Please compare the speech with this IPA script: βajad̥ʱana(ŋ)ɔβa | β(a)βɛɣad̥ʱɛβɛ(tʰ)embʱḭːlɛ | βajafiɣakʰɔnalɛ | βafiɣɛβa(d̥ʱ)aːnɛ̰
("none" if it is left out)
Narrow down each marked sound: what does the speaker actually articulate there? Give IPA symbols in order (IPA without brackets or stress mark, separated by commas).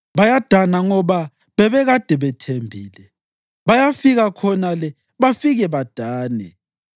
ŋ, ɛ, tʰ, d̥ʱ